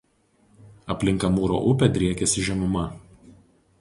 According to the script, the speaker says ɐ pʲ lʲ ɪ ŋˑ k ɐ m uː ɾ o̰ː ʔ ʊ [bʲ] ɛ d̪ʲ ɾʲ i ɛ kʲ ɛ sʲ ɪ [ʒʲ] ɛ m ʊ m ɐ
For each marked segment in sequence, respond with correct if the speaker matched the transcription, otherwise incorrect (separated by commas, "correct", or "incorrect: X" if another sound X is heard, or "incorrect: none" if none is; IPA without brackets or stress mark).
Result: incorrect: pʲ, correct